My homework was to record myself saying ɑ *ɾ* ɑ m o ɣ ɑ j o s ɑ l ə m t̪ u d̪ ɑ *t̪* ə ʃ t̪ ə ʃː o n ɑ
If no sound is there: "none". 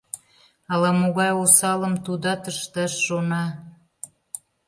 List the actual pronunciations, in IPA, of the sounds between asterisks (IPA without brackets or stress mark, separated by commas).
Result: l, t̪